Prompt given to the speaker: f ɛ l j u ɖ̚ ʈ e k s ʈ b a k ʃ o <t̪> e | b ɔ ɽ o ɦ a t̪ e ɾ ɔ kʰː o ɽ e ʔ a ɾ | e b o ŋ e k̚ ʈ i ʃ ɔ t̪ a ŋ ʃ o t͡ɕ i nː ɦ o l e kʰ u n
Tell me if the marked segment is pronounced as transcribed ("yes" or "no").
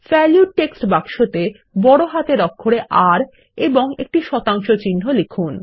yes